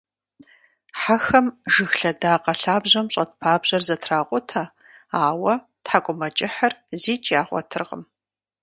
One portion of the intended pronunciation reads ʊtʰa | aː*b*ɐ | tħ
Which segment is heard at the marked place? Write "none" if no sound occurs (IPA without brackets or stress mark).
w